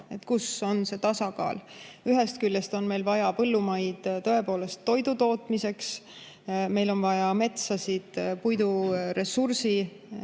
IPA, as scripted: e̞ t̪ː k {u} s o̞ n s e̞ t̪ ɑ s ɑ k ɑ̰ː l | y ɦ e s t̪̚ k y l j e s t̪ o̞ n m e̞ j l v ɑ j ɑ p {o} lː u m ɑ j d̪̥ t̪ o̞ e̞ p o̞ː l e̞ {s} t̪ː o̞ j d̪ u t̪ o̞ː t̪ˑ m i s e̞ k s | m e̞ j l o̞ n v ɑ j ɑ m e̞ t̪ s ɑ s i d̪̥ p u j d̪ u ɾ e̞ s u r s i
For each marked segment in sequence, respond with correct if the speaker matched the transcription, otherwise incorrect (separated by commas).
correct, incorrect, correct